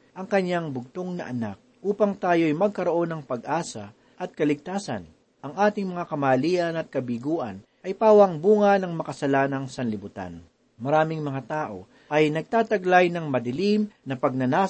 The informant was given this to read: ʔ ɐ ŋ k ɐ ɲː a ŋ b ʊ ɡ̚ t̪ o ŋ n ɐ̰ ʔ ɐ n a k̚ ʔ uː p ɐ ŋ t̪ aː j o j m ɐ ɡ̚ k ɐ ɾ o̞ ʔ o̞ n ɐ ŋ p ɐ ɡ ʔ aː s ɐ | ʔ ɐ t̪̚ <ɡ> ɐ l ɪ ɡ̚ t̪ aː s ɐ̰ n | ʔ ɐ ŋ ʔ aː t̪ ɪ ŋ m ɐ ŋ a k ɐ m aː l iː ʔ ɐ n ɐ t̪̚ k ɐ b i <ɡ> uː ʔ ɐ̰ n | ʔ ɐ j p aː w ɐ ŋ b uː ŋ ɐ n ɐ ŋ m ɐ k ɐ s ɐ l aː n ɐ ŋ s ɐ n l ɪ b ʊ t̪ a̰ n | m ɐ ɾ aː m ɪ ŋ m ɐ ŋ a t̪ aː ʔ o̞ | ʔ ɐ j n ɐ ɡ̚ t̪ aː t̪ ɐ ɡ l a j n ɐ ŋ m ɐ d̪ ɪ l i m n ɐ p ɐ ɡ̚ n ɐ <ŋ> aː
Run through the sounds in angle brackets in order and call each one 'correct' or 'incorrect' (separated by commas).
incorrect, correct, incorrect